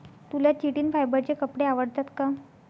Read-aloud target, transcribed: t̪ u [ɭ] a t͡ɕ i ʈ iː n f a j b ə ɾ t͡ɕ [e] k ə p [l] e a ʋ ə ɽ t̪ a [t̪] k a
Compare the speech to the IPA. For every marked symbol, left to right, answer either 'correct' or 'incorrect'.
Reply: incorrect: l, correct, incorrect: ɽ, correct

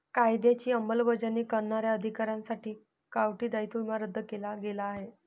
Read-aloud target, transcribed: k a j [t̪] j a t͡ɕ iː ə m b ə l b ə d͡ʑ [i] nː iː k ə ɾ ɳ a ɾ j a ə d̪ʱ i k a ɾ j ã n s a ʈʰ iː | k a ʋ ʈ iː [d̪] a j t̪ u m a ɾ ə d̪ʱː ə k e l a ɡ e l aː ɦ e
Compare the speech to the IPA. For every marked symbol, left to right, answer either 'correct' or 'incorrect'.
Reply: incorrect: d̪, incorrect: a, correct

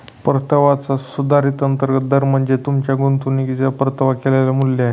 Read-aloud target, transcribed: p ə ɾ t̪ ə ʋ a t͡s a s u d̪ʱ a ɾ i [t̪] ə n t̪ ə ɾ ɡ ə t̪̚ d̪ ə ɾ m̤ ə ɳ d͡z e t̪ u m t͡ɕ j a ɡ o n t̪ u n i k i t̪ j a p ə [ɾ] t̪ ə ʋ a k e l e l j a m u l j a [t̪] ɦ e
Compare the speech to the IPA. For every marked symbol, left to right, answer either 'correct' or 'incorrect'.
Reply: correct, correct, incorrect: none

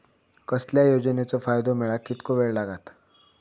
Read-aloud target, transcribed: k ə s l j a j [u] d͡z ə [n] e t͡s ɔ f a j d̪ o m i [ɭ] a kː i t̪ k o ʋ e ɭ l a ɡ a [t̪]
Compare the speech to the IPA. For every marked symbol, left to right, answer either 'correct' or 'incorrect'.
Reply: incorrect: o, correct, correct, correct

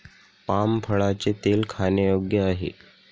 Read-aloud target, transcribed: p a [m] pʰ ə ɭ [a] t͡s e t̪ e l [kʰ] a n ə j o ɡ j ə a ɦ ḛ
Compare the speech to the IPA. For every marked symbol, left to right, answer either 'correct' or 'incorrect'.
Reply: correct, correct, correct

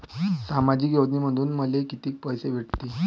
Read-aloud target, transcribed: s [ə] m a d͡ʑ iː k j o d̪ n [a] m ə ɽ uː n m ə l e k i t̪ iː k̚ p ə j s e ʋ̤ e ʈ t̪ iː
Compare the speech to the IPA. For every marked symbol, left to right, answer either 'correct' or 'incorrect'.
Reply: incorrect: a, incorrect: i

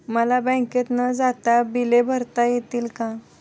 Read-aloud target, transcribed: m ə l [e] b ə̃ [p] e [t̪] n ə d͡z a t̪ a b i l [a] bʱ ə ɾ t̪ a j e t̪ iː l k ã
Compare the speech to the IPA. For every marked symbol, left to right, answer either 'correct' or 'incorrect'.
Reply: incorrect: a, incorrect: k, correct, incorrect: e

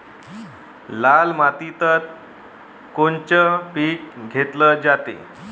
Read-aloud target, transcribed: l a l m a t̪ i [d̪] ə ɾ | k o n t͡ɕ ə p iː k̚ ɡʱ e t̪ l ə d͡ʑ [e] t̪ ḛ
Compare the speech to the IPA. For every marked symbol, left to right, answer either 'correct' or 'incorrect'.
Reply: incorrect: t̪, incorrect: a

